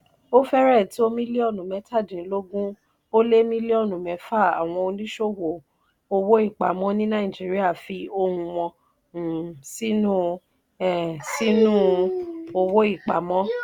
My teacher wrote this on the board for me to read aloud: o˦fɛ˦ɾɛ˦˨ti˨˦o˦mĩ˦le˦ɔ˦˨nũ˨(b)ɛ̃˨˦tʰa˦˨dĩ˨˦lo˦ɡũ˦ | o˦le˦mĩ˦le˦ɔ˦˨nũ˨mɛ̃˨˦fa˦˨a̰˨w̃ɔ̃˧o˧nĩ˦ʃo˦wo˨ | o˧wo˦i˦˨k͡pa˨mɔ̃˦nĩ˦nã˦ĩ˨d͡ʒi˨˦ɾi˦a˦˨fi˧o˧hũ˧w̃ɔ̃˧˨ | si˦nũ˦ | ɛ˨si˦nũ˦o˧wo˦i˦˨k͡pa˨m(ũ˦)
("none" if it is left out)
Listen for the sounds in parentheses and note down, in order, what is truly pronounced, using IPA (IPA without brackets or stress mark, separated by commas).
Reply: m, ɔ̃˦